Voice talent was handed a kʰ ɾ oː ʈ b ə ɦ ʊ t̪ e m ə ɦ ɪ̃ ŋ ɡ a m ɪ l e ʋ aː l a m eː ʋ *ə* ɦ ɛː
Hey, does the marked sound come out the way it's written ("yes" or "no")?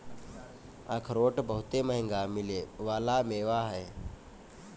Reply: no